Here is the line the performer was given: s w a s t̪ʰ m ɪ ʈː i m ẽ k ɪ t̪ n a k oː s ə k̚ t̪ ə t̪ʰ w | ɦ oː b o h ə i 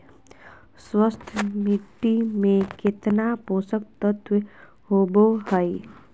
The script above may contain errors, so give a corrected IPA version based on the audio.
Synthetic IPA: s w ə s t̪ʰ m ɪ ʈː i m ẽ k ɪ t̪ n a p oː s ə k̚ t̪ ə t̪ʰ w | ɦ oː b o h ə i